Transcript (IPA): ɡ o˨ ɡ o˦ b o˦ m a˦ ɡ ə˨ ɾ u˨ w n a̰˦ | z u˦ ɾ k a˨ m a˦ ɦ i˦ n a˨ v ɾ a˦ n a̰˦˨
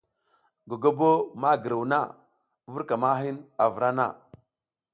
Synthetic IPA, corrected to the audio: ɡ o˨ ɡ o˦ b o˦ m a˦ ɡ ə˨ ɾ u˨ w n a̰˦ | v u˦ ɾ k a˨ m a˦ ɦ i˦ n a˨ v ɾ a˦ n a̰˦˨